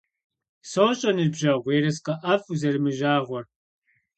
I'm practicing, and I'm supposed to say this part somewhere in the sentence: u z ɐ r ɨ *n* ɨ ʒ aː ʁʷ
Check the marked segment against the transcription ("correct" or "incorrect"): incorrect